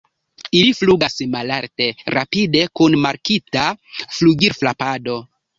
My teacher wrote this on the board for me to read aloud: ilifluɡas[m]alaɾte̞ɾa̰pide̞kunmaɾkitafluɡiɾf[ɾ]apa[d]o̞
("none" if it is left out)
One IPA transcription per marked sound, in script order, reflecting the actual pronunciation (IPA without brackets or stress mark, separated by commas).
m, l, d